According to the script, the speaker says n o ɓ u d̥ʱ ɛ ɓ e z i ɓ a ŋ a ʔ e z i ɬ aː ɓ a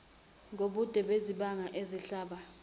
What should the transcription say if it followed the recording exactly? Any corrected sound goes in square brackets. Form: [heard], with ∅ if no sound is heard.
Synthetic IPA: [ŋ] o ɓ u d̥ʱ ɛ ɓ e z i ɓ a ŋ a ʔ e z i ɬ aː ɓ a

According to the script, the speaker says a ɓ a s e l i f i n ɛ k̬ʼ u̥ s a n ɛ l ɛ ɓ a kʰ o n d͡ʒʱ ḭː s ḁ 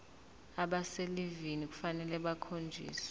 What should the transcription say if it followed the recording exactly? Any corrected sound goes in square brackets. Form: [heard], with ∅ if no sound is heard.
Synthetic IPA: a ɓ a s e l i [v] i n [i] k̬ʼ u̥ [f] a n ɛ l ɛ ɓ a kʰ o n d͡ʒʱ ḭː s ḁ

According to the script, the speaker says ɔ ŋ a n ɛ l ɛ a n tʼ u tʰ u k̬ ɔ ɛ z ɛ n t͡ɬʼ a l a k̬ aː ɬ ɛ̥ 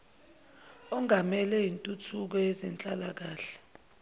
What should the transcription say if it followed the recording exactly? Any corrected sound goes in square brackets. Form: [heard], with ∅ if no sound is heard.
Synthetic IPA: ɔ ŋ a [m] ɛ l ɛ [i] n tʼ u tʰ u k̬ ɔ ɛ z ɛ n t͡ɬʼ a l a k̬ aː ɬ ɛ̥

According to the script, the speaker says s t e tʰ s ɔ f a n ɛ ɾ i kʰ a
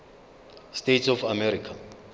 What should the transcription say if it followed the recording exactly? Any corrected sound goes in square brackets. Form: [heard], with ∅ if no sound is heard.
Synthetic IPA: s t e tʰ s ɔ f a [m] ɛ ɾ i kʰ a

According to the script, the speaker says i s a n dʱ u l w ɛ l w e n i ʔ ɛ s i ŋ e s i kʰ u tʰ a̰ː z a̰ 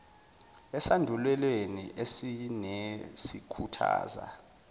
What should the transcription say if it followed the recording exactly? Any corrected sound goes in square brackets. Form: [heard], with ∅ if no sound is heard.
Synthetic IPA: [ɛ] s a n dʱ u l w ɛ l w e n i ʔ [e] s i [n] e s i kʰ u tʰ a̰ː z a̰

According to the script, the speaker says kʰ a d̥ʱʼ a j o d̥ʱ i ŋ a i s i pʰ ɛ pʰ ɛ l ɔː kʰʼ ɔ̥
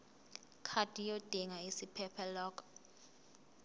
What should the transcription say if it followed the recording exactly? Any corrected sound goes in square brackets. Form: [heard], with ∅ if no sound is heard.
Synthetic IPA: kʰ a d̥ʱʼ [i] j o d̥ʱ i ŋ a i s i pʰ ɛ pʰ ɛ l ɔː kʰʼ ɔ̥

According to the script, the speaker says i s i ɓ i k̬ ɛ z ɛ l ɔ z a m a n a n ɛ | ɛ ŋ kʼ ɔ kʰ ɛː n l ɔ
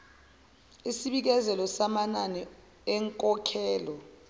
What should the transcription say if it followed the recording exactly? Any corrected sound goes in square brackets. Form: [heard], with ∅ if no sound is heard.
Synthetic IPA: i s i ɓ i k̬ ɛ z ɛ l ɔ [s] a m a n a n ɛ | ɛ ŋ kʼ ɔ kʰ ɛː [∅] l ɔ

